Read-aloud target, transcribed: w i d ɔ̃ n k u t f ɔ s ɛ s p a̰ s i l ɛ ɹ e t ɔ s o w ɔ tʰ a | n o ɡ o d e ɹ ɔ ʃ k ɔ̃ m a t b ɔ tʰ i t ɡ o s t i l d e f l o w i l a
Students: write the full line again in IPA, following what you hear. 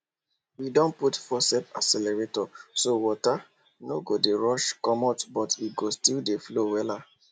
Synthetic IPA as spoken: w i d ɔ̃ n p u t f ɔ s ɛ p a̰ s ɛ l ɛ ɹ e t ɔ s o w ɔ t a | n o ɡ o d e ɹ ɔ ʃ k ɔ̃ m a t b ɔ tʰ i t ɡ o s t i l d e f l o w ɛ l a

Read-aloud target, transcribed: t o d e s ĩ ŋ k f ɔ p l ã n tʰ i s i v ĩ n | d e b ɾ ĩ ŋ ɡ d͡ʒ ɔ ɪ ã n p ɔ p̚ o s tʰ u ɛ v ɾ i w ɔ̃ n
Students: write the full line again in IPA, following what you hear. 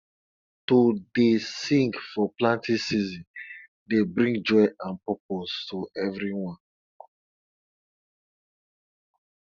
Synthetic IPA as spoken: t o d e s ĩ ŋ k f ɔ p l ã n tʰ i s i z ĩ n | d e b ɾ ĩ ŋ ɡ d͡ʒ ɔ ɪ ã n p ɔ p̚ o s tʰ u ɛ v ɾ i w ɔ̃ n

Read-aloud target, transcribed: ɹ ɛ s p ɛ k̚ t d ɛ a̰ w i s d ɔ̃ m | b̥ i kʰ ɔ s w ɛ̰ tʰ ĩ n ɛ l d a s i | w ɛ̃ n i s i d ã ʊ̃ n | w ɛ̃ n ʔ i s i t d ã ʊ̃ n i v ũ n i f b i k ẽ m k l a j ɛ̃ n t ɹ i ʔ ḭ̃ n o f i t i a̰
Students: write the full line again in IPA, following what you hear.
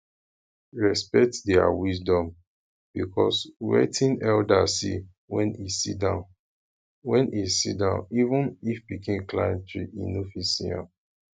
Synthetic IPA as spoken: ɹ ɛ s p ɛ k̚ t d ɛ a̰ w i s d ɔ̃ m | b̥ i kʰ ɔ s w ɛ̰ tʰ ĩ n ɛ l d a s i | w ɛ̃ n i s i d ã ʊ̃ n | w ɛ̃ n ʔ i s i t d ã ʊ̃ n i v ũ n i f b i k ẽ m k l a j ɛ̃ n t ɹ i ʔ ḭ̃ n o f i s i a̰

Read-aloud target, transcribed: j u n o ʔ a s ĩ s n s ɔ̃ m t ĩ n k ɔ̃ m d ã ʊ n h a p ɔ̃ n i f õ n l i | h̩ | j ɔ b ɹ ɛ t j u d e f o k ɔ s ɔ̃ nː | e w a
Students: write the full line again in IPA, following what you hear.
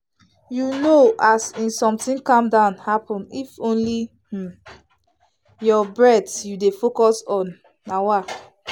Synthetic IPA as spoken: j u n o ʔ a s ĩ n s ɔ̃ m t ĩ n k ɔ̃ m d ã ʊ n h a p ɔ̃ n i f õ n l i | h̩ | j ɔ b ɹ ɛ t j u d e f o k ɔ s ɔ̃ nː | a w a

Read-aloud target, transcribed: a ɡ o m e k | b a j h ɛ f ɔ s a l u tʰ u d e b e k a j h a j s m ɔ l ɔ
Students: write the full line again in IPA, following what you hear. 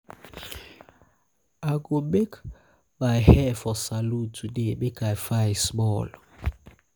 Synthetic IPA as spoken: a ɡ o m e k | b a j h ɛ f ɔ s a l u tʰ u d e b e k a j f a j s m ɔ l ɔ

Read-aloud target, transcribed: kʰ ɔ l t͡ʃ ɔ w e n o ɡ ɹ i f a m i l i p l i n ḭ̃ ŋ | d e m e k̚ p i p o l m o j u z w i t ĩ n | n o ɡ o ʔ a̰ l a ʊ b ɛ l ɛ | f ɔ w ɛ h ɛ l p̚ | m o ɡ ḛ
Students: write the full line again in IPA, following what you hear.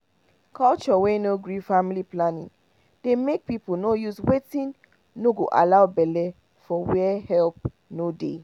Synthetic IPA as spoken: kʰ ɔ l t͡ʃ ɔ w e n o ɡ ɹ i f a m i l i p l a n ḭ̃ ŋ | d e m e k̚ p i p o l n o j u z w e t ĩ n | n o ɡ o ʔ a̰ l a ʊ b ɛ l ɛ | f ɔ w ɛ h ɛ l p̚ | n o d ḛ

